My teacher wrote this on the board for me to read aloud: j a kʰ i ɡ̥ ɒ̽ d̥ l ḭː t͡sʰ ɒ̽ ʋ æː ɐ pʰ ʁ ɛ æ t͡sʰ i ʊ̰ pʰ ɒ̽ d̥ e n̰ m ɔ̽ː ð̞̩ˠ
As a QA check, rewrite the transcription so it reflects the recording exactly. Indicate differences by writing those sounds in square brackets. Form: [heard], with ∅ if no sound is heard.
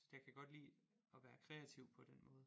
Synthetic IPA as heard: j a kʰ [æ] ɡ̥ ɒ̽ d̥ l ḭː [∅] ɒ̽ ʋ æː ɐ [kʰ] ʁ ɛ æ t͡sʰ i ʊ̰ pʰ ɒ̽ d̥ e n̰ m ɔ̽ː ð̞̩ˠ